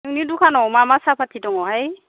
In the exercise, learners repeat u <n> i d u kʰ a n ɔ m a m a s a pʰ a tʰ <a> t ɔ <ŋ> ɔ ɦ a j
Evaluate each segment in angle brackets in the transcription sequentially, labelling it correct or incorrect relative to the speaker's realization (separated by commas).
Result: correct, incorrect, correct